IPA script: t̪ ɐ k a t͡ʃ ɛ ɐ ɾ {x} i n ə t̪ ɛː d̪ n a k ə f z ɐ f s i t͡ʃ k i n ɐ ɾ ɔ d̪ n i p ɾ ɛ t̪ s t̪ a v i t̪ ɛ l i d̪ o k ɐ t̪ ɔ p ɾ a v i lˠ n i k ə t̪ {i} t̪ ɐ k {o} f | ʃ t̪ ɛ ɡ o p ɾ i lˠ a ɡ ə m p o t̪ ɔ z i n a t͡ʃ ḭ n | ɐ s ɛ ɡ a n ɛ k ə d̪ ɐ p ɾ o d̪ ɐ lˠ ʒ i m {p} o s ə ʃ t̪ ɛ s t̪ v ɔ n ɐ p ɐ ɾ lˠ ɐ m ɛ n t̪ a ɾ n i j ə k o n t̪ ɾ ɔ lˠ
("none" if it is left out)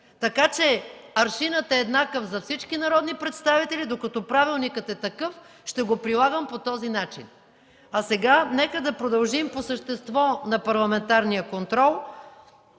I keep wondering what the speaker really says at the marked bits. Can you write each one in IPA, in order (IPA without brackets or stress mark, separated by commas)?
ʃ, ɛ, ɤ, p